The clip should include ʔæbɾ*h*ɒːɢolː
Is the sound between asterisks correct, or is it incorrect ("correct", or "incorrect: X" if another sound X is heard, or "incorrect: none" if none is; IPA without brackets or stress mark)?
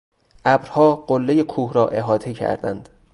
correct